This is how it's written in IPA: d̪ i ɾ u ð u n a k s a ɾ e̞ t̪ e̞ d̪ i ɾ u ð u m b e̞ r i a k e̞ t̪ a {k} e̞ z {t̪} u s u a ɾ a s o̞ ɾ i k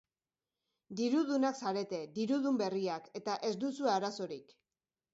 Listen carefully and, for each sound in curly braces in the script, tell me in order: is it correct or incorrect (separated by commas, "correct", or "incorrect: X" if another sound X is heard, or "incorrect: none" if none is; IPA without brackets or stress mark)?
incorrect: ʔ, incorrect: d̪